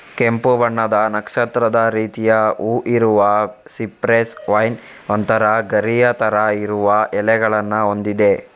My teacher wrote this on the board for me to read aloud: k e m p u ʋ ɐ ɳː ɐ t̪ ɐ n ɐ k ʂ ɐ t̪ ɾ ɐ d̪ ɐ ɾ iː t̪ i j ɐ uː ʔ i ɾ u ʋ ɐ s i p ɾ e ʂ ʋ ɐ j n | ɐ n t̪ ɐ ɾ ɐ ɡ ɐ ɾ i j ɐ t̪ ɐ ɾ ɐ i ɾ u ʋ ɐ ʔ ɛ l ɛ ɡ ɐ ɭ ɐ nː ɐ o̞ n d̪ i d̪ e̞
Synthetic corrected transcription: k e m p u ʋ ɐ ɳː ɐ d̪ ɐ n ɐ k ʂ ɐ t̪ ɾ ɐ d̪ ɐ ɾ iː t̪ i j ɐ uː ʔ i ɾ u ʋ ɐ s i p ɾ e s ʋ ɐ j n | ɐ n t̪ ɐ ɾ ɐ ɡ ɐ ɾ i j ɐ t̪ ɐ ɾ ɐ i ɾ u ʋ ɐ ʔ ɛ l ɛ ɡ ɐ ɭ ɐ nː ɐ o̞ n d̪ i d̪ e̞